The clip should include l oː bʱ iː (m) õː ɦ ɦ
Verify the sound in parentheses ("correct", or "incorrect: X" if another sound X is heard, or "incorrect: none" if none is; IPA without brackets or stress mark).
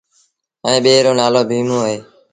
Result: correct